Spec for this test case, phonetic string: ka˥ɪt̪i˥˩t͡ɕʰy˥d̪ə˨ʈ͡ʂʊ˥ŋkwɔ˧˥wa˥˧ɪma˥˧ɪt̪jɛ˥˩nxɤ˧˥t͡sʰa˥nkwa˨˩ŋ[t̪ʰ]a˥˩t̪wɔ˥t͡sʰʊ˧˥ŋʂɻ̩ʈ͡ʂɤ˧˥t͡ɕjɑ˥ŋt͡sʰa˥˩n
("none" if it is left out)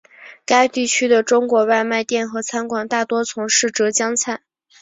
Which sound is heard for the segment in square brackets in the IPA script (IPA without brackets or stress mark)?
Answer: t̪